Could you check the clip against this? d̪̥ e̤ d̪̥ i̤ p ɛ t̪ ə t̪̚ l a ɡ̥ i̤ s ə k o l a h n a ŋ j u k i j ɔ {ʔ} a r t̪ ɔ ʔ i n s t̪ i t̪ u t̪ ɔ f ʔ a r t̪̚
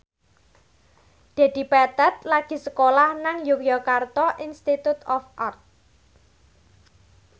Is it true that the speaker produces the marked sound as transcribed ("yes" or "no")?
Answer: no